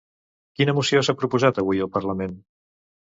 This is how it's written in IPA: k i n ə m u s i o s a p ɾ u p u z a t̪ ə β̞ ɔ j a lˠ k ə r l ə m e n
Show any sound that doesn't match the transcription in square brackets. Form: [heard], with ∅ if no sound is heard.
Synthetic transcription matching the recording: k i n ə m u s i o s a p ɾ u p u z a t̪ ə β̞ [u] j [ə] lˠ [p] ə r l ə m e n